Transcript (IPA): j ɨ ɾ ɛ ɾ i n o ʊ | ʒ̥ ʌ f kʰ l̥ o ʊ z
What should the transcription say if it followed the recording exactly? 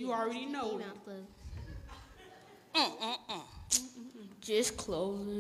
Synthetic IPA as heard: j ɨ ɹ ɛ ɾ i n o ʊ | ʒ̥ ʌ s kʰ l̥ o ʊ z